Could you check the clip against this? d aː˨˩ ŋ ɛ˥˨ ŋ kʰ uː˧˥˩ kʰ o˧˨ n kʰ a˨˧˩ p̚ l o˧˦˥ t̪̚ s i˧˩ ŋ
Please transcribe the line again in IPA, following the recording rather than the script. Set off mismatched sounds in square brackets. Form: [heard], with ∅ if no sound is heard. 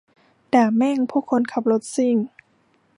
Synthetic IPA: d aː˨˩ [m] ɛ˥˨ ŋ [pʰ] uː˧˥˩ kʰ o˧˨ n kʰ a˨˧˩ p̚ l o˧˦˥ t̪̚ s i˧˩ ŋ

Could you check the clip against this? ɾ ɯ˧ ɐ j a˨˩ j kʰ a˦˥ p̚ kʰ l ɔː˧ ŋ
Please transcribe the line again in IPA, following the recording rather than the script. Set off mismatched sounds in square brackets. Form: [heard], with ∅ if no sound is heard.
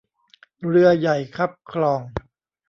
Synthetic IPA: ɾ ɯ˧ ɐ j a˨˩ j kʰ a˦˥ p̚ kʰ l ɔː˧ ŋ

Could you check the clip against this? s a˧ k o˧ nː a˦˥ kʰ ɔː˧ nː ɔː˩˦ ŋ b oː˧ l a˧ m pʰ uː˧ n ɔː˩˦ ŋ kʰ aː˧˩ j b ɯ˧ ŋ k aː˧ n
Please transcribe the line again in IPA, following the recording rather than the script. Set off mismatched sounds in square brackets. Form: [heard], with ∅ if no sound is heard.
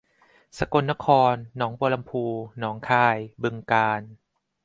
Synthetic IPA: s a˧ k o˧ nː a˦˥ kʰ ɔː˧ nː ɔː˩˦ ŋ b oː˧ l a˧ m pʰ uː˧ n ɔː˩˦ ŋ kʰ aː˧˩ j b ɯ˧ ŋ k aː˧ n

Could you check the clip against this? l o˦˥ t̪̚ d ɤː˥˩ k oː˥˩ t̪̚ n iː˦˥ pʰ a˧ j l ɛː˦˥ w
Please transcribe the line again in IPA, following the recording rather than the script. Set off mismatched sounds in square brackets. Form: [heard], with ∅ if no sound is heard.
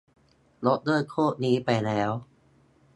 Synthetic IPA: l o˦˥ t̪̚ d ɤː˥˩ [kʰ] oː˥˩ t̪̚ n iː˦˥ [p] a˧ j l ɛː˦˥ w

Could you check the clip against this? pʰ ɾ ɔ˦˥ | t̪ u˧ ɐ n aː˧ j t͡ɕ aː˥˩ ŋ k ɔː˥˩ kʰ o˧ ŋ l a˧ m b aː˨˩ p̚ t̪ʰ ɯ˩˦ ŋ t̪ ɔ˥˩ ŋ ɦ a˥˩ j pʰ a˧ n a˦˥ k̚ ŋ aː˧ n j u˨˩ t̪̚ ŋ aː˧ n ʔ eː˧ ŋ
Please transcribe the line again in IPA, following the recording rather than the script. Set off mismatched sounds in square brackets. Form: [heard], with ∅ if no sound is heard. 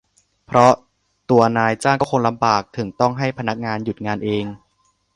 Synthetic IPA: pʰ ɾ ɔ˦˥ | t̪ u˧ ɐ n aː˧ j t͡ɕ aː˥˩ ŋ k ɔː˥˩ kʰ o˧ ŋ l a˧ m b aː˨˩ [k̚] t̪ʰ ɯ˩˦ ŋ t̪ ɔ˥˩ ŋ ɦ a˥˩ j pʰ a˧ n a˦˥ k̚ ŋ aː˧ n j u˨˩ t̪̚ ŋ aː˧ n ʔ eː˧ ŋ

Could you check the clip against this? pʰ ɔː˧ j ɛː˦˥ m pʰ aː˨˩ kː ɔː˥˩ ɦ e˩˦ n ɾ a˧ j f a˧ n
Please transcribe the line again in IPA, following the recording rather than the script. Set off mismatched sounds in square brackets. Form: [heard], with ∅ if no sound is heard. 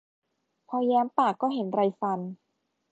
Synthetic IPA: pʰ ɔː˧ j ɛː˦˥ m [p] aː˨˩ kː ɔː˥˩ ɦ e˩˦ n ɾ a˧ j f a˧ n

